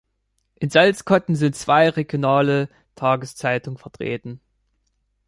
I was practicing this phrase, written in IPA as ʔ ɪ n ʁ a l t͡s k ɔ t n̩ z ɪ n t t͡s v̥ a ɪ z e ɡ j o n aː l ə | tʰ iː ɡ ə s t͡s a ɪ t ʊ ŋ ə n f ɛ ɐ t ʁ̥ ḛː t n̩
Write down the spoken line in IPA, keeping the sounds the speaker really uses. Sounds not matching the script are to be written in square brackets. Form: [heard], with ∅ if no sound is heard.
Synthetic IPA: ʔ ɪ n [z] a l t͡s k ɔ t n̩ z ɪ n t t͡s v̥ a ɪ [ʁ] e ɡ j o n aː l ə | tʰ [aː] ɡ ə s t͡s a ɪ t ʊ ŋ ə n f ɛ ɐ t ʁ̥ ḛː t n̩